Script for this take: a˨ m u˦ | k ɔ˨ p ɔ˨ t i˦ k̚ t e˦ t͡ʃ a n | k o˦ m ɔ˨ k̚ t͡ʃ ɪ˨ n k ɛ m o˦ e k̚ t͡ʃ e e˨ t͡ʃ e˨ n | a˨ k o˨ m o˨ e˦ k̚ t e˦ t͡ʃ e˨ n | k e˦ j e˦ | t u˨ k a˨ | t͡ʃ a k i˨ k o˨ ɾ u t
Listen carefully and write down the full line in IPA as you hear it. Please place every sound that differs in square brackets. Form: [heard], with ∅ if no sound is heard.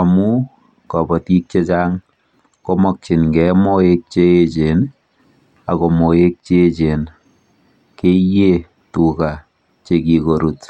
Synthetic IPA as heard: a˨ m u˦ | k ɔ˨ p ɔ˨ t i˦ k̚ [t͡ʃ] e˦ t͡ʃ a [ŋ] | k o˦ m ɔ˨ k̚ t͡ʃ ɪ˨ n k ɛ m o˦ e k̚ t͡ʃ e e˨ t͡ʃ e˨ n | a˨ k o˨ m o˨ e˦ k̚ [t͡ʃ] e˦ t͡ʃ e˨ n | k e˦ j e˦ | t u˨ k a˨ | t͡ʃ [e] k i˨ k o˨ ɾ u t

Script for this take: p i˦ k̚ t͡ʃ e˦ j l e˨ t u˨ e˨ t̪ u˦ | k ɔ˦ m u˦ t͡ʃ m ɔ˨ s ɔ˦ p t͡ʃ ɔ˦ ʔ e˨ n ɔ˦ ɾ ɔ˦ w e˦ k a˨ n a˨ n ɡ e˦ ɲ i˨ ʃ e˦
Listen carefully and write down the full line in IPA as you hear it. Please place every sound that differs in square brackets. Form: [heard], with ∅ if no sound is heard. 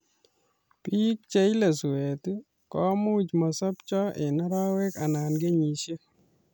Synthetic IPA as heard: p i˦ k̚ t͡ʃ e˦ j l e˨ [s] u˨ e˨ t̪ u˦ | k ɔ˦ m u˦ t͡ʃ m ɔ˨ s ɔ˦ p t͡ʃ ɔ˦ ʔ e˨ n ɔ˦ ɾ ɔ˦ w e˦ k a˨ n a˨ n ɡ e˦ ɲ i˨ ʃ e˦

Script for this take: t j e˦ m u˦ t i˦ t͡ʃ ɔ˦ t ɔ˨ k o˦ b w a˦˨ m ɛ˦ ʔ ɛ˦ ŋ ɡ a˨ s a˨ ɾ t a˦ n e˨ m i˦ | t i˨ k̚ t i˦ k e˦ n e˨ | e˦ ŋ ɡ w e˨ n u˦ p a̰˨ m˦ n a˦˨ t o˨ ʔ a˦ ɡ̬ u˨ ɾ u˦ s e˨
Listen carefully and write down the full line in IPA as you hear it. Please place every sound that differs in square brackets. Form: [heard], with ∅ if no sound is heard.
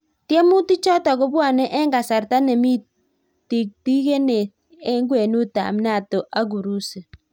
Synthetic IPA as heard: t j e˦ m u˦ t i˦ t͡ʃ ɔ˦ t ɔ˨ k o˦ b w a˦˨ [n] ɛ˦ ʔ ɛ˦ ŋ ɡ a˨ s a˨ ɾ t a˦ n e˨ m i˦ | t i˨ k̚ t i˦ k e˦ n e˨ | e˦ ŋ ɡ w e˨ n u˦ [t] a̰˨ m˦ n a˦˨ t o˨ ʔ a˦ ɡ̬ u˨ ɾ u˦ s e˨

